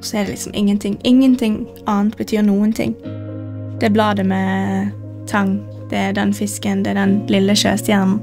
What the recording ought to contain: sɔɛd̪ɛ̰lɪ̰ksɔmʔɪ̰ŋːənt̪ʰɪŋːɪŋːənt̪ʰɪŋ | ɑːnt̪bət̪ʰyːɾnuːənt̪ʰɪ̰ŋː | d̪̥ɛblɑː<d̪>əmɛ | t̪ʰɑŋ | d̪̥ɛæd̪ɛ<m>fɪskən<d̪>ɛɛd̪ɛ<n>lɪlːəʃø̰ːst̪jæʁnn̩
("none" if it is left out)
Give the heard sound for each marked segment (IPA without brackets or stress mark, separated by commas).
d̪, n, d̪, n